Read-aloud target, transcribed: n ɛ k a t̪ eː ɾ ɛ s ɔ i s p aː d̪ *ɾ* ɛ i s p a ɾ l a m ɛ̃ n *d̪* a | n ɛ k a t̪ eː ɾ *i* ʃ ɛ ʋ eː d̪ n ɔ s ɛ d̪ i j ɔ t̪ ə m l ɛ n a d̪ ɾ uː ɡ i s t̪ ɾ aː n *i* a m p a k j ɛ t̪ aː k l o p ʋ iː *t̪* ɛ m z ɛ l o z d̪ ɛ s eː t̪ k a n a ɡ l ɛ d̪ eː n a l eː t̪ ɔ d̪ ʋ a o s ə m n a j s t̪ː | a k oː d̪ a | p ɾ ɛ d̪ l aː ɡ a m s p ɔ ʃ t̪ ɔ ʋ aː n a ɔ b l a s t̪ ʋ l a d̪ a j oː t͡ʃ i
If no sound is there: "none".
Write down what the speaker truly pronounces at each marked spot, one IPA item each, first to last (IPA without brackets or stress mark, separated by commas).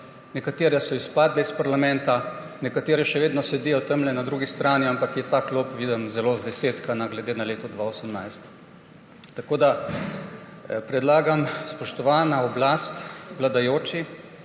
l, t̪, ɛ, i, d̪